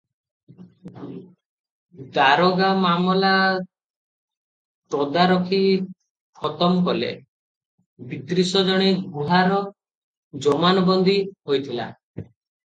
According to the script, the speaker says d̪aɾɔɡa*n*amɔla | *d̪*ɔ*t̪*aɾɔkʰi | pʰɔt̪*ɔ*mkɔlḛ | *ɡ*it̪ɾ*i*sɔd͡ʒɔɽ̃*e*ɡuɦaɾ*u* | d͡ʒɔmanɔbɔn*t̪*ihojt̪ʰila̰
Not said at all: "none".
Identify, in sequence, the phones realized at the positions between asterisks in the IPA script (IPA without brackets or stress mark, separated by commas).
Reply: m, t̪, d̪, ɔ, b, i, e, ɔ, d̪